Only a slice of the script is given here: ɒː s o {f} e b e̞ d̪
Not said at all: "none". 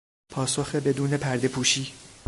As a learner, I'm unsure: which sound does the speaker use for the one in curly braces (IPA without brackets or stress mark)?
x